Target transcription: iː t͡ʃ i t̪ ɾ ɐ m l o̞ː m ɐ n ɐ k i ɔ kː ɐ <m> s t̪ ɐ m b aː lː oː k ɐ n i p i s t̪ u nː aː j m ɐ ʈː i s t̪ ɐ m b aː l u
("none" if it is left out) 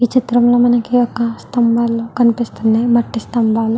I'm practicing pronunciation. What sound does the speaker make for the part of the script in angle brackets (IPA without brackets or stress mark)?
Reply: none